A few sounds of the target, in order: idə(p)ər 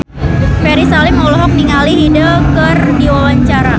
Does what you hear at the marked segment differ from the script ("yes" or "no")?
yes